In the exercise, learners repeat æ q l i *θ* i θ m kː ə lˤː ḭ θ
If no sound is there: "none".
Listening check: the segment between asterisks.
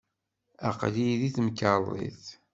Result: ð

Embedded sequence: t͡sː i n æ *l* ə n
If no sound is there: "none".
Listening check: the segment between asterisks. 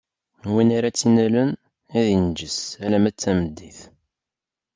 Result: l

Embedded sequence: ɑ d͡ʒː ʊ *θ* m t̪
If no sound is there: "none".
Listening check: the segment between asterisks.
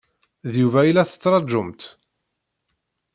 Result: none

